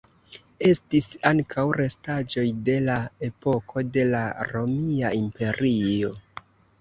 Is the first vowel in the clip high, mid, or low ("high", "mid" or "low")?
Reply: mid